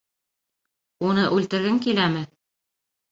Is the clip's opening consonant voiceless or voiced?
voiced